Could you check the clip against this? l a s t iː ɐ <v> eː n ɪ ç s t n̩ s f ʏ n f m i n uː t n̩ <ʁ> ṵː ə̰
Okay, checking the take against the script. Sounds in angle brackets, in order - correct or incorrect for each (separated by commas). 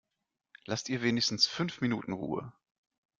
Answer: correct, correct